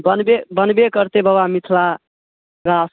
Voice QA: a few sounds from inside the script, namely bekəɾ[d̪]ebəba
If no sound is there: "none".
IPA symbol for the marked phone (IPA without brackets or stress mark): t̪